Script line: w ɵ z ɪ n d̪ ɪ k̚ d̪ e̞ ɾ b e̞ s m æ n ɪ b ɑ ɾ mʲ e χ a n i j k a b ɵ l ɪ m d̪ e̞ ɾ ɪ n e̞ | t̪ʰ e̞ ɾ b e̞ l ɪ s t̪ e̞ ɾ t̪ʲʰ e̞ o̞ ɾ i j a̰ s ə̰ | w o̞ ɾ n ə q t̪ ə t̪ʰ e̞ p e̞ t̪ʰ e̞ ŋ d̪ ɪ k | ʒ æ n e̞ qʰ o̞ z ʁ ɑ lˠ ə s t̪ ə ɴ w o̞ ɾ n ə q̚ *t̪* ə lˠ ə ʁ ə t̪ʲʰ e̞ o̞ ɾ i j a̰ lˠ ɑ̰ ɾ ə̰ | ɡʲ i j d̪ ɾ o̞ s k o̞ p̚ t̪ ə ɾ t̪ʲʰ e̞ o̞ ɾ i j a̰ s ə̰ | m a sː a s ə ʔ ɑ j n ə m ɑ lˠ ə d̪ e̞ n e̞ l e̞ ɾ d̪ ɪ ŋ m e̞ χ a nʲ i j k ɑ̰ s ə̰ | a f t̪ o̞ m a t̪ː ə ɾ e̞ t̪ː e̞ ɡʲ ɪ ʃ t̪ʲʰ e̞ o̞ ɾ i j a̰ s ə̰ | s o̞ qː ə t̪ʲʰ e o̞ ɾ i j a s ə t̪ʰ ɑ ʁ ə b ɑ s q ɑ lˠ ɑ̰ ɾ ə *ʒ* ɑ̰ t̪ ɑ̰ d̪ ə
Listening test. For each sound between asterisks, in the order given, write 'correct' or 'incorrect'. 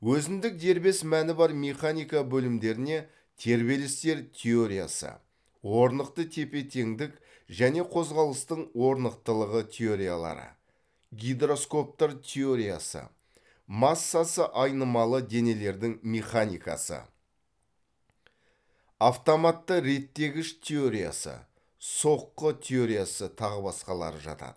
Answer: correct, correct

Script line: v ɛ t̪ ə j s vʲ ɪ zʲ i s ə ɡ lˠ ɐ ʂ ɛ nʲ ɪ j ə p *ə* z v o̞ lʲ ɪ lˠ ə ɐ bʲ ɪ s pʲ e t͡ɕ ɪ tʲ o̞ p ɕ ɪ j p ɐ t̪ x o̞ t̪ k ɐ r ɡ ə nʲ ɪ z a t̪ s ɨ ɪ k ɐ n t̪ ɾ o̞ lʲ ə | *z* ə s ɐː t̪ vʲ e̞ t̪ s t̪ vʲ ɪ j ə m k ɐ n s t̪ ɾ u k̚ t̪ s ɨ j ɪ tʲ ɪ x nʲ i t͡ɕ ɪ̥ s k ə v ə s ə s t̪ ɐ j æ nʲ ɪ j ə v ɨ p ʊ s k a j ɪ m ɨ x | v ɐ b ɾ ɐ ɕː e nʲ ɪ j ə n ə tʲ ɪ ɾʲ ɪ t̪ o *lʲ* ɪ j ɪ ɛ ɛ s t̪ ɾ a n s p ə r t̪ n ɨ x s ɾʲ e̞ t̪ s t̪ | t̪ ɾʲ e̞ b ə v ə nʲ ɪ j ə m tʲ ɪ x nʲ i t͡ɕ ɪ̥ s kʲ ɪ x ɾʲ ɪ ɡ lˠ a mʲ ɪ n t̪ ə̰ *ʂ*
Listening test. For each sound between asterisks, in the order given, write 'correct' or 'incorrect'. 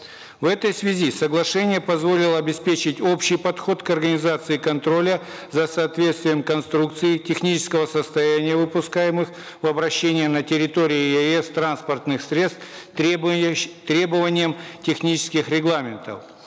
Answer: incorrect, correct, incorrect, incorrect

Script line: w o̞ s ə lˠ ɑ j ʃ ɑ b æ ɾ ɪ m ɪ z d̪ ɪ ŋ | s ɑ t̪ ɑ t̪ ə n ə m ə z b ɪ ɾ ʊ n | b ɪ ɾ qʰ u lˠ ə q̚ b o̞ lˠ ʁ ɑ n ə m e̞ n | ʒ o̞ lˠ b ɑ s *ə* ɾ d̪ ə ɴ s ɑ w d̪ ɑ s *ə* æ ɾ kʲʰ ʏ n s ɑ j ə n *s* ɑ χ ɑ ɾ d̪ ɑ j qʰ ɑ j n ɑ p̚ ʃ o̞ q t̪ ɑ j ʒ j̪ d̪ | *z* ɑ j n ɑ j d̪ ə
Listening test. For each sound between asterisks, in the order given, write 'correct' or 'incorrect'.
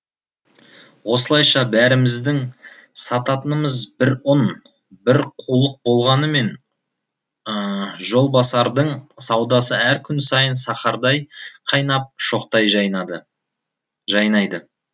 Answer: incorrect, correct, correct, incorrect

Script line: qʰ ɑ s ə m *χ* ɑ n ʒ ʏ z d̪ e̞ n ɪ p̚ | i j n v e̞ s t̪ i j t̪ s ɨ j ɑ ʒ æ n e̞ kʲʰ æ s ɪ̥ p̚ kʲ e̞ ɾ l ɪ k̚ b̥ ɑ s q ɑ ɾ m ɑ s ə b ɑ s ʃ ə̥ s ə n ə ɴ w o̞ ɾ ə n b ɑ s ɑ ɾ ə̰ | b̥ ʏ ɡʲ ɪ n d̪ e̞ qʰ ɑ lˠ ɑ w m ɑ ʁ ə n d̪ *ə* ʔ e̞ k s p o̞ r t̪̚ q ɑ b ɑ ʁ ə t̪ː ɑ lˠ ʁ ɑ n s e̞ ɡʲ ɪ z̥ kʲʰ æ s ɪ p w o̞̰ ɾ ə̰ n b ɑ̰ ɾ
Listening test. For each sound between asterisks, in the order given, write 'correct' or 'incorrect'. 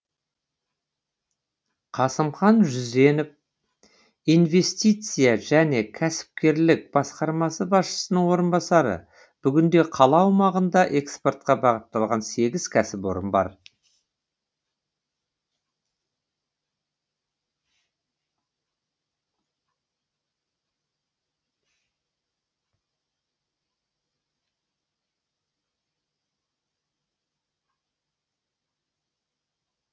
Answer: correct, incorrect

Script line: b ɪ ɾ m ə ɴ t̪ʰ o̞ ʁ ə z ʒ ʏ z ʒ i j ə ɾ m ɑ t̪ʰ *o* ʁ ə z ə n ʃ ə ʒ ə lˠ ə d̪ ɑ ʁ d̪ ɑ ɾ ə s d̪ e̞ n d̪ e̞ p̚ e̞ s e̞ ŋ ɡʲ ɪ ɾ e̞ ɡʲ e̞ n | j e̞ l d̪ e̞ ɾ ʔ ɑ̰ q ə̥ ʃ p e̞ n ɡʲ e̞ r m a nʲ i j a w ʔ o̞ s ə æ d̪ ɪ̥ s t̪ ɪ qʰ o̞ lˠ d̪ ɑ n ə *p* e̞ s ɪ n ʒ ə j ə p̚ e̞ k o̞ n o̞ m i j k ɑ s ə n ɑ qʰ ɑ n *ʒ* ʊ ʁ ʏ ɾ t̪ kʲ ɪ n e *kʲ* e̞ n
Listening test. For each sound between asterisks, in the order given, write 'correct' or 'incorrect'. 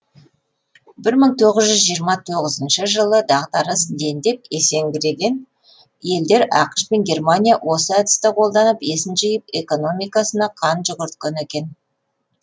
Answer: correct, correct, correct, correct

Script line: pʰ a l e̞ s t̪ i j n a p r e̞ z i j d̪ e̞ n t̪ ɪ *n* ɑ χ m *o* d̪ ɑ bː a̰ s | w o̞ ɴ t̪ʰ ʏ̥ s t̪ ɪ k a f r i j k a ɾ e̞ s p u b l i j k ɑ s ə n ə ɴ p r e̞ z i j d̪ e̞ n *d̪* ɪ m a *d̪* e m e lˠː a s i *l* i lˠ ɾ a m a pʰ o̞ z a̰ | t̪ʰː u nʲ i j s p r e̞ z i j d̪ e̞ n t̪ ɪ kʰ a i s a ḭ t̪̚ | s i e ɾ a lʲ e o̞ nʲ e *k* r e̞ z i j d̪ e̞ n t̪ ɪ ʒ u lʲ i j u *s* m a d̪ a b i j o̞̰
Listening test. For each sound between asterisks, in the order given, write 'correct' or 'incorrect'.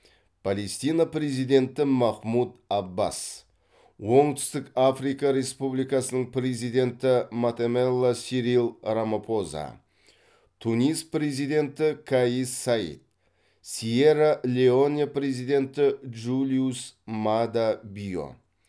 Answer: incorrect, incorrect, incorrect, incorrect, incorrect, incorrect, correct

